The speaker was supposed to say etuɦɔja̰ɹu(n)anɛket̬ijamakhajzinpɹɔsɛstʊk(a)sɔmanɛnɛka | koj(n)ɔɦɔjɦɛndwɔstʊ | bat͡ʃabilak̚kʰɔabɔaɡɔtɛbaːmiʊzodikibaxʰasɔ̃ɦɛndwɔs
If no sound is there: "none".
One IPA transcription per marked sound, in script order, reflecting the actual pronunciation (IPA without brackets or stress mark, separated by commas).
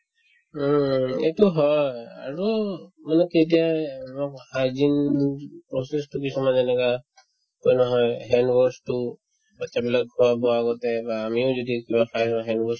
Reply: m, i, n